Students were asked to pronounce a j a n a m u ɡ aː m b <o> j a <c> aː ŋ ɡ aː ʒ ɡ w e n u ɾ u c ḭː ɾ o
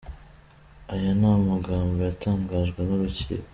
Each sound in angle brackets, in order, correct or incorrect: correct, incorrect: t

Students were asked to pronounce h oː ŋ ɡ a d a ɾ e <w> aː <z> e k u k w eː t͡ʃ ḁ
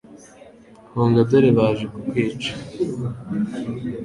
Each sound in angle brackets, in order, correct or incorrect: incorrect: β, incorrect: ʒ

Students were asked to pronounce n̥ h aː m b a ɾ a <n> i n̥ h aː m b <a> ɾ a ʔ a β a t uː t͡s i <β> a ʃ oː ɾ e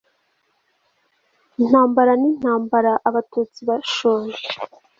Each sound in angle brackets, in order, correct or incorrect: correct, correct, correct

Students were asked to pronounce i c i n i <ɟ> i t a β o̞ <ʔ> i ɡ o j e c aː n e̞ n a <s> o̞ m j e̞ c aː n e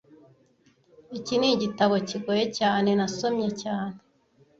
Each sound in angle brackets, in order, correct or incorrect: correct, incorrect: c, correct

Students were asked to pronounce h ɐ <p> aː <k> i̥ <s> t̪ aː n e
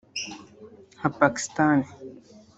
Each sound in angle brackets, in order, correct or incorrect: correct, correct, correct

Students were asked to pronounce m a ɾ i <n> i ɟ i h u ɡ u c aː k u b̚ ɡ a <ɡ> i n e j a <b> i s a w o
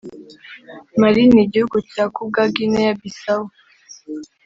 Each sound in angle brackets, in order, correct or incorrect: correct, correct, correct

